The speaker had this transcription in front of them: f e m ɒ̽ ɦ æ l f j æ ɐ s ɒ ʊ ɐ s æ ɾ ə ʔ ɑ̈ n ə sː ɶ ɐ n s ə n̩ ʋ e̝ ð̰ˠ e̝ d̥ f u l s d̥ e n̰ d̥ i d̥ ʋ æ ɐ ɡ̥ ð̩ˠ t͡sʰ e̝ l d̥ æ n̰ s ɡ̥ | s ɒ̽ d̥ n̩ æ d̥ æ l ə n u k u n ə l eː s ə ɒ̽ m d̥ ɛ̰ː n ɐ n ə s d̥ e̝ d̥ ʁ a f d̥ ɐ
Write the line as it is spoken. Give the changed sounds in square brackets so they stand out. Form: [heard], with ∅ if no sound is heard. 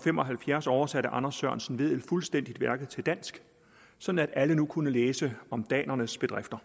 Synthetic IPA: f e m ɒ̽ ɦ æ l f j æ ɐ s ɒ ʊ ɐ s æ ɾ ə ʔ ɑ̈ n [ɐ] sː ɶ ɐ n s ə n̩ ʋ e̝ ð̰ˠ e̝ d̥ f u l s d̥ e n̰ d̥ i d̥ ʋ æ ɐ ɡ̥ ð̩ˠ t͡sʰ e̝ l d̥ æ n̰ s ɡ̥ | s ɒ̽ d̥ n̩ æ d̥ æ l ə n u [kʰ] u n ə l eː s ə ɒ̽ m d̥ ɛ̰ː n ɐ n ə s [b̥] e̝ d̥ ʁ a f d̥ ɐ